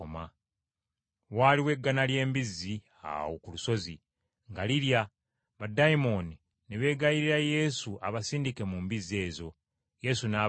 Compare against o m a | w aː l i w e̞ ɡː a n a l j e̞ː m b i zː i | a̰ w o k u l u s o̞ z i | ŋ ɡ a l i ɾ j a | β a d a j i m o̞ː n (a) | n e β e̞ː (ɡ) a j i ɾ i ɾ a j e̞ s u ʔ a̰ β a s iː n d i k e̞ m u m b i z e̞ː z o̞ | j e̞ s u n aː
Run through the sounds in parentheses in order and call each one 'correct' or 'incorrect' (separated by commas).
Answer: incorrect, correct